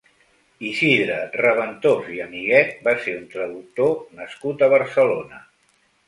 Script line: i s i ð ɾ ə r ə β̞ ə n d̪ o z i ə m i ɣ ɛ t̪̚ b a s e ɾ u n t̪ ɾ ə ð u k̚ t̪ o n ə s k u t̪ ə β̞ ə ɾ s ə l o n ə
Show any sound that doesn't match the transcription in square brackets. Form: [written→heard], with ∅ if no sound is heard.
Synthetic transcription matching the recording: i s i ð ɾ ə r ə β̞ ə n [d̪→t̪] o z i ə m i ɣ ɛ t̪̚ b a s e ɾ u n t̪ ɾ ə ð u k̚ t̪ o n ə s k u t̪ ə β̞ ə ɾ s ə l o n ə